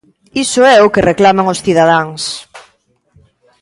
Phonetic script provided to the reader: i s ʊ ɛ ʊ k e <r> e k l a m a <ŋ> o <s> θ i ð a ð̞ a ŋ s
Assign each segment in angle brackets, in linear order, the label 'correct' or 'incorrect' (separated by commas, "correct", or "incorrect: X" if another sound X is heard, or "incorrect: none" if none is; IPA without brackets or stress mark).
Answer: correct, correct, correct